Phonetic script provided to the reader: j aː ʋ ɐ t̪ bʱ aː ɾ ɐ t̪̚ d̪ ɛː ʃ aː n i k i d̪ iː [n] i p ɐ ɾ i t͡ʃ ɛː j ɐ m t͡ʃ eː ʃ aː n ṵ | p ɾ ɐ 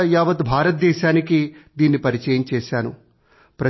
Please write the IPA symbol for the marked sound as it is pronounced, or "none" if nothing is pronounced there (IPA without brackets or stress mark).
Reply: nː